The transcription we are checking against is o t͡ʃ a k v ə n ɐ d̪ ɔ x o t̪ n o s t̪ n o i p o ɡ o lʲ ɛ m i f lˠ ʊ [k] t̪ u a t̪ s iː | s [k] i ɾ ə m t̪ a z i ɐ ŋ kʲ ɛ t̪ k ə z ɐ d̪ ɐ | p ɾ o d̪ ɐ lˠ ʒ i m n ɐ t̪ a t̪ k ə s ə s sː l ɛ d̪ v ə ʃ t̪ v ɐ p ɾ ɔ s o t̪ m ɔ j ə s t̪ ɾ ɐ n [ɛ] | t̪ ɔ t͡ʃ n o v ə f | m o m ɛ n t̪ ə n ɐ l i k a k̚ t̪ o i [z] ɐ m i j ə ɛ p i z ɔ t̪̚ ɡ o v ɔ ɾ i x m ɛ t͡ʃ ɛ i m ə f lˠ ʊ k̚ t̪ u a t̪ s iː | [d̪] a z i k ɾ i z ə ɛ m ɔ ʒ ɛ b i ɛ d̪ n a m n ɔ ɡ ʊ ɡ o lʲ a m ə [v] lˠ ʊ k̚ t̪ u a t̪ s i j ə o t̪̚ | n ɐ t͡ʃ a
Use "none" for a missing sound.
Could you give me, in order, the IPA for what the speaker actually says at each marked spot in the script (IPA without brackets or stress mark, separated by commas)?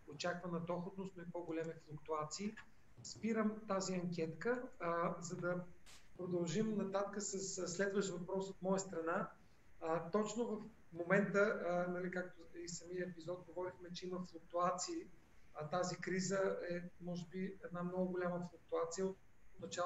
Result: k, p, a, s, t̪, f